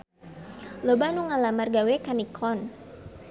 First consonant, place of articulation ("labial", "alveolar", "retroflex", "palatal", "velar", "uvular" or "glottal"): alveolar